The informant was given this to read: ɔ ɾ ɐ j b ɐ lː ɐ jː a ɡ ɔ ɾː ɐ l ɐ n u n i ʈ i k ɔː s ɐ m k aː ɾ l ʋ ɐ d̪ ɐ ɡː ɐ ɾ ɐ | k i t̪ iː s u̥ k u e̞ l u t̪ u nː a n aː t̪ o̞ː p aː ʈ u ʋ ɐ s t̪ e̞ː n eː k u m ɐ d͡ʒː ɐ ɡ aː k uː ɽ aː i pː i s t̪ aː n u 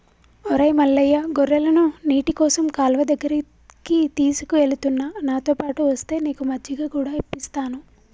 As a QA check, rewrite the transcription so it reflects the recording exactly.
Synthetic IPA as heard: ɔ ɾ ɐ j m ɐ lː ɐ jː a ɡ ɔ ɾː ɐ l ɐ n u n iː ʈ i k ɔː s ɐ m k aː l ʋ ɐ d̪ ɐ ɡː ɐ ɾ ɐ | k i t̪ iː s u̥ k u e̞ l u t̪ u nː a n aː t̪ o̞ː p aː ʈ u ʋ ɐ s t̪ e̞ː n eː k u m ɐ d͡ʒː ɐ ɡ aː k uː ɽ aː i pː i s t̪ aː n u